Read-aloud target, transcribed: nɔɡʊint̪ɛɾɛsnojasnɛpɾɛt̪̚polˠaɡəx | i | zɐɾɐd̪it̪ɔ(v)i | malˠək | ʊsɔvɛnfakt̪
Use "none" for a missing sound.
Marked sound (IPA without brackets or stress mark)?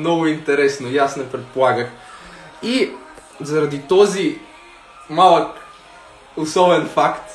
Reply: z